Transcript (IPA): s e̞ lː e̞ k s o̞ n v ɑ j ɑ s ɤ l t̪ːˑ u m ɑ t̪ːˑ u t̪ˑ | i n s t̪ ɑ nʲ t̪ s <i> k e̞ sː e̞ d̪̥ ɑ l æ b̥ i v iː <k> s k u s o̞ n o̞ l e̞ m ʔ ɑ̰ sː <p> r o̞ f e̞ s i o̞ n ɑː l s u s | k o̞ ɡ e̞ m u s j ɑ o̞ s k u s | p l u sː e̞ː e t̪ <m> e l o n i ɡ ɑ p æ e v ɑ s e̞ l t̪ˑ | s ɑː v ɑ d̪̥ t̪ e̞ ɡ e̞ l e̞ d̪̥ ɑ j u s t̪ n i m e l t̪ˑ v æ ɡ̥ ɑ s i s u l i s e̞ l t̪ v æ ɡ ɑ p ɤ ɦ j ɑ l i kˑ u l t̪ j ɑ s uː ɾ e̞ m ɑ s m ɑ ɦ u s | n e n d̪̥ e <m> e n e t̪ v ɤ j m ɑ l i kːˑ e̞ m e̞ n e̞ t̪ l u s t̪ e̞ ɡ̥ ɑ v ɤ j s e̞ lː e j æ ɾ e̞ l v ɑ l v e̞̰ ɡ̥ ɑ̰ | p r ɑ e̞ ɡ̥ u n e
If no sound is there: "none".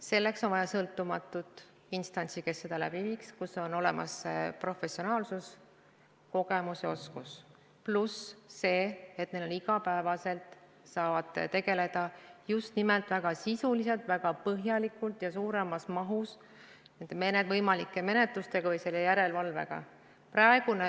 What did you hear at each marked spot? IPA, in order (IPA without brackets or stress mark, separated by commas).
i, k, p, n, m